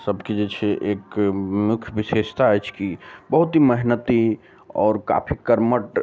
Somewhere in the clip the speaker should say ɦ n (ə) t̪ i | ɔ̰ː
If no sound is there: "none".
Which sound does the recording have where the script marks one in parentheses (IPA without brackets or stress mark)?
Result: ə